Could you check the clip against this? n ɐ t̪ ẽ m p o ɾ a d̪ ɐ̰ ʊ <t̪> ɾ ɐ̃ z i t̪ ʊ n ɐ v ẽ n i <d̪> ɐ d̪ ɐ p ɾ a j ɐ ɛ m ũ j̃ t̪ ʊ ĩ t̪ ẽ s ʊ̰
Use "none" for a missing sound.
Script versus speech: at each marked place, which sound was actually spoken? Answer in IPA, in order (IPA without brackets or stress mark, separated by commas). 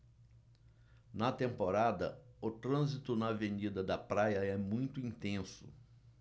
t̪, d̪